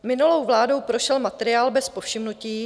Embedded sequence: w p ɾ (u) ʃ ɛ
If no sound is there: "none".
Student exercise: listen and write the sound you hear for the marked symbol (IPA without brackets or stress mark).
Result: o